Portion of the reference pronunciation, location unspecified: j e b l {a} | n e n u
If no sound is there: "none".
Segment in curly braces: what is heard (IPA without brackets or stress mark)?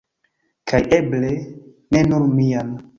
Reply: e